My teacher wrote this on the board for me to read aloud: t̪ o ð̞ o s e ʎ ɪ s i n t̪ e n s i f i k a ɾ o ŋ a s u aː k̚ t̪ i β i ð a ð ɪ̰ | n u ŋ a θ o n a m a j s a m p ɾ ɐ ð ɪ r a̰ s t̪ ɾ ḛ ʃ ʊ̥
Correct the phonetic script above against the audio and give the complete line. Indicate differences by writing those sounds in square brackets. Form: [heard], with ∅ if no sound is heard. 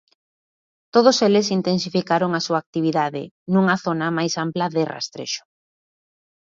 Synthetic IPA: t̪ o ð̞ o s e [l] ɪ s i n t̪ e n s i f i k a ɾ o ŋ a s u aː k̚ t̪ i β i ð a ð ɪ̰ | n u ŋ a θ o n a m a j s a m p [l] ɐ ð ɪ r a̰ s t̪ ɾ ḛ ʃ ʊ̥

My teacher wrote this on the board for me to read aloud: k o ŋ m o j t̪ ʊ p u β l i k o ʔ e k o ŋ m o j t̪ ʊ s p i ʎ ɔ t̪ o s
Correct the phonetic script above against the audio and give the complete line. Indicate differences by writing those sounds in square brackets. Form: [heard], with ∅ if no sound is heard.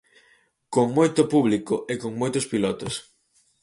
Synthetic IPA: k o ŋ m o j t̪ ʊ p u β l i k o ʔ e k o ŋ m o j t̪ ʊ s p i [l] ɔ t̪ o s

